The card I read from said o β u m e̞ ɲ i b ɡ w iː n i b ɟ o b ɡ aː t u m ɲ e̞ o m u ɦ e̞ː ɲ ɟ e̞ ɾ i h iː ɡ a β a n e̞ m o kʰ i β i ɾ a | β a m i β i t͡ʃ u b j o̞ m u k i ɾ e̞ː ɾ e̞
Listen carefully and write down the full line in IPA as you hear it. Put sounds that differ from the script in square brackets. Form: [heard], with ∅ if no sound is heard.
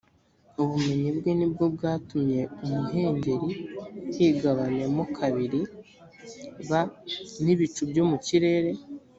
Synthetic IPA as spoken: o β u m e̞ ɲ i b ɡ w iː n i b [ɡ] o b ɡ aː t u m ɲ e̞ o m u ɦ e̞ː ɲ ɟ e̞ ɾ i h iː ɡ a β a n e̞ m o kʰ [a] β i ɾ [i] | β a [n] i β i t͡ʃ u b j o̞ m u [c] i ɾ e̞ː ɾ e̞